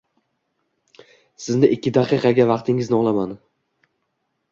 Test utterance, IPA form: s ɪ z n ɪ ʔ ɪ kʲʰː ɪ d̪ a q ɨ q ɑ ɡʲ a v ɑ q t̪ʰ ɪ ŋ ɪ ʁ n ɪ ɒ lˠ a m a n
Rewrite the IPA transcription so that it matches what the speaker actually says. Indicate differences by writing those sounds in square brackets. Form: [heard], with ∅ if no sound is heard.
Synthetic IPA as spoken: s ɪ z n ɪ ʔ ɪ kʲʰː ɪ d̪ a q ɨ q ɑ ɡʲ a v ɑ q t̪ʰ ɪ ŋ ɪ [z] n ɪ ɒ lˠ a m a n